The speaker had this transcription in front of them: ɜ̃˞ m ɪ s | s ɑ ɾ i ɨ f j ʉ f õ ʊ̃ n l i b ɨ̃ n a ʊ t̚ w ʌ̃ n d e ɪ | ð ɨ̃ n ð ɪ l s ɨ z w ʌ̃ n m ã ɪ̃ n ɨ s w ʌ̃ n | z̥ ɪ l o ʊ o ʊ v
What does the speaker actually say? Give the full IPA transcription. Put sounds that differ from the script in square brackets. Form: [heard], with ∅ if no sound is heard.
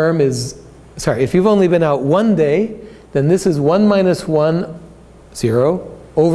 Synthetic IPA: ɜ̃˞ m ɪ [z] | s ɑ [ɹ] i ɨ f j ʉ [v] õ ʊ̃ n l i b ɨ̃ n a ʊ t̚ w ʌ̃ n d e ɪ | ð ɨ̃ n ð ɪ [∅] s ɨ z w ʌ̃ n m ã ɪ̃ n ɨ s w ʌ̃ n | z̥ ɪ [ɹ] o ʊ o ʊ v